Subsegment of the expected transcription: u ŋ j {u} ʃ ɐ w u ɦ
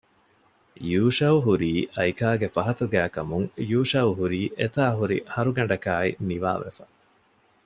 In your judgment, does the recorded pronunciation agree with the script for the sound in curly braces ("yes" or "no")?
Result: no